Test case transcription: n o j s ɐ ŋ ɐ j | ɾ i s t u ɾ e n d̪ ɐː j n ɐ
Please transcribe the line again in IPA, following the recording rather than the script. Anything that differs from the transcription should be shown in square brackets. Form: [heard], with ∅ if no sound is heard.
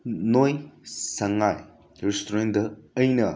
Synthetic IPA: n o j s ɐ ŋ [a] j | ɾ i s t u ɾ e n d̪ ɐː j n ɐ